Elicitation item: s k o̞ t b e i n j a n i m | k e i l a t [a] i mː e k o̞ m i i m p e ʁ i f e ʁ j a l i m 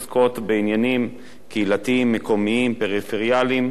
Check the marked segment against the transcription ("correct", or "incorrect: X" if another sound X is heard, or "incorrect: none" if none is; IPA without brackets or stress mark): incorrect: i